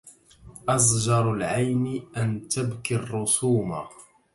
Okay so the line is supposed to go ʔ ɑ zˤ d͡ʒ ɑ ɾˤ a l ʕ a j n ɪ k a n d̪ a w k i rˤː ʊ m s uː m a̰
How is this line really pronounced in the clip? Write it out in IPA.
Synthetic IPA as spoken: ʔ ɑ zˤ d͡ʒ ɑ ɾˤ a l ʕ a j n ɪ ʔ a n t̪ a b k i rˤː ʊ s uː m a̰